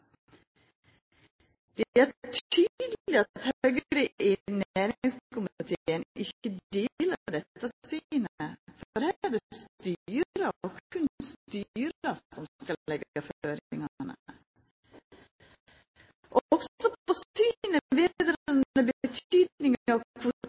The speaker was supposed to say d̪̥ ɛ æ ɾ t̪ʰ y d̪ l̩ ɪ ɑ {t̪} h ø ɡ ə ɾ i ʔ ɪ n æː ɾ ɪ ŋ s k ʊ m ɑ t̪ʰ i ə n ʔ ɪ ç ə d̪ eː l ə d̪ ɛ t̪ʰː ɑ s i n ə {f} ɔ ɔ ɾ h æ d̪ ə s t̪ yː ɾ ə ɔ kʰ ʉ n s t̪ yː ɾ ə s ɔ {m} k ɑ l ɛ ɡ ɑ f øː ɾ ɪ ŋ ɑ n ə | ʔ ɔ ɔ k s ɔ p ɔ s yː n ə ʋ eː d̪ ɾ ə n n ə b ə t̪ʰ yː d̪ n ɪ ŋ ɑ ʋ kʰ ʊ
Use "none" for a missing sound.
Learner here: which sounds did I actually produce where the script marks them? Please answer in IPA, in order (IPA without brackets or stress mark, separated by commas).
t̪, f, m